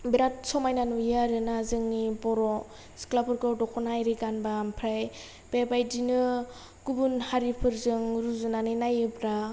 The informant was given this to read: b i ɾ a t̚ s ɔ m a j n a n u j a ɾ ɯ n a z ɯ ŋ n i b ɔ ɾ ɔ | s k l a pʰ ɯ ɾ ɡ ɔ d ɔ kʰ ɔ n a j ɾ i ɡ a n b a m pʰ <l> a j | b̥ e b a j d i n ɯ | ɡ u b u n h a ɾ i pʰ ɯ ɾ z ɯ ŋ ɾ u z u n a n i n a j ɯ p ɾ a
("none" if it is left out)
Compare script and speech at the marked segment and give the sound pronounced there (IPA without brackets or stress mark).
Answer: ɾ